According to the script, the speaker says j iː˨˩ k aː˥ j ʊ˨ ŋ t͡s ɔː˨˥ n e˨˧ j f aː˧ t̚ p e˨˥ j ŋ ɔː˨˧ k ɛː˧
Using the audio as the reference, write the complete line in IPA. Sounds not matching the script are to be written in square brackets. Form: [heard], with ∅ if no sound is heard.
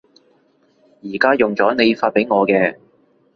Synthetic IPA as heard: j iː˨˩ k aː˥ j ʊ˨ ŋ t͡s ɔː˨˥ n e˨˧ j f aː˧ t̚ p e˨˥ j ŋ ɔː˨˧ k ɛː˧